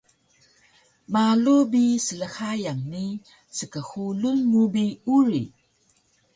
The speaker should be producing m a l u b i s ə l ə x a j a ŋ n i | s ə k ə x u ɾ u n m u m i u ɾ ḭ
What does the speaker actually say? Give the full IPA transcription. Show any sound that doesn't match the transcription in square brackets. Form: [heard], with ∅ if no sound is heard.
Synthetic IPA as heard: m a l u b i s ə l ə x a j a ŋ n i | s ə k ə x u [l] u n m u [b] i u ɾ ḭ